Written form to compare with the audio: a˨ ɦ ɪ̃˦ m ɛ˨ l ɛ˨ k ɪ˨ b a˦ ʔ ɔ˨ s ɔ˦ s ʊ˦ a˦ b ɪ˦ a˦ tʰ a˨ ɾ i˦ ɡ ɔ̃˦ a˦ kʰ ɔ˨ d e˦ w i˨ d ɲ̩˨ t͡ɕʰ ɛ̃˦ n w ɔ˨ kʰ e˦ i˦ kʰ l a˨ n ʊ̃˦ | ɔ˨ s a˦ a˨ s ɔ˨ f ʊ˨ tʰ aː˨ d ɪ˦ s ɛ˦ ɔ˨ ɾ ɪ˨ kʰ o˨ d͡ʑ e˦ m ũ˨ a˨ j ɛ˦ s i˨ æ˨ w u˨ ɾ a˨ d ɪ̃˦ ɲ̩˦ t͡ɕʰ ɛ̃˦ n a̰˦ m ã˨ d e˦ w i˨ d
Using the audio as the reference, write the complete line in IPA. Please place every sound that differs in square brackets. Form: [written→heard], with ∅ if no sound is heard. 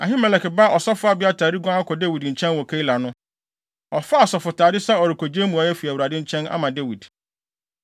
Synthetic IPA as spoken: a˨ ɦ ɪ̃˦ m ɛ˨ l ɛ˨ k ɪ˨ b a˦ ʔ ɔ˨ s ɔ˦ [s→f] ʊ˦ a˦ b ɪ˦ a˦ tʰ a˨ ɾ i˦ ɡ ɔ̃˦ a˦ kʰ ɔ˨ d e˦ w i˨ d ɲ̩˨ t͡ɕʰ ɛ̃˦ n w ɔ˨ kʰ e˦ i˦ [kʰ→∅] l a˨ n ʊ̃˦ | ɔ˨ [s→f] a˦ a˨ s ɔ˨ f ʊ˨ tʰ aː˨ d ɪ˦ s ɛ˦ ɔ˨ ɾ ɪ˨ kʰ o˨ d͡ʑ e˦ m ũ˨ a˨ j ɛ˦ [s→f] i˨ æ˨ w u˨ ɾ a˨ d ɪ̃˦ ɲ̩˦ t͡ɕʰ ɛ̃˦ n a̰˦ m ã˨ d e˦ w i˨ d